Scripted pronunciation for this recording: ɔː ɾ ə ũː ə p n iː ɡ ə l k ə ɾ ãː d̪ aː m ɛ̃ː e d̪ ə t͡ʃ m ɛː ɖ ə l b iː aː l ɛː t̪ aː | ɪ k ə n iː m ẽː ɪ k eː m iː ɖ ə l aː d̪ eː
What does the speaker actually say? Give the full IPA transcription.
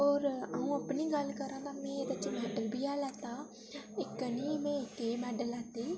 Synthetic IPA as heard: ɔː ɾ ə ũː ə p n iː ɡ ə l k ə ɾ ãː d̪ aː m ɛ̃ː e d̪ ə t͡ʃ m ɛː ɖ ə l b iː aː l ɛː t̪ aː | ɪ k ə n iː m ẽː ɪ k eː m ɛː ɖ ə l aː t̪ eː